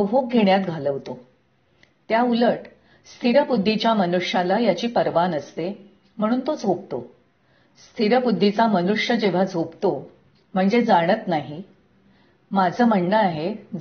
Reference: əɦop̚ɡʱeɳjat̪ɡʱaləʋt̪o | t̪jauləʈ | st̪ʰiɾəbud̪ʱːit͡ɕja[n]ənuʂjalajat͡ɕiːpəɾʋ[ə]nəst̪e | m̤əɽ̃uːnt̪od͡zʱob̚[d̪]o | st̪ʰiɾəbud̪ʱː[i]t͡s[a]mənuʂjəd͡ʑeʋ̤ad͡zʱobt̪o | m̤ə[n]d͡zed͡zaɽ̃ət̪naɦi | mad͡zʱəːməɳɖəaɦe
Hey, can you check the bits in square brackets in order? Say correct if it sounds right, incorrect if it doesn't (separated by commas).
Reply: incorrect, incorrect, incorrect, correct, correct, incorrect